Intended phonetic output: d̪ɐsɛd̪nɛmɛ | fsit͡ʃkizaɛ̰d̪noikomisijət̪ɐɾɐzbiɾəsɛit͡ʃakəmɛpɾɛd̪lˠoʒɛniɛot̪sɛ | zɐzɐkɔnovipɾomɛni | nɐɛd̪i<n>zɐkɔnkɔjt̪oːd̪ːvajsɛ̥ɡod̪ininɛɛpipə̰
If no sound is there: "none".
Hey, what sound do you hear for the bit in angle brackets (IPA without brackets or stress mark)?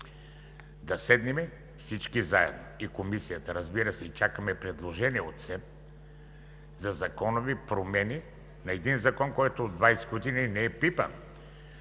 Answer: n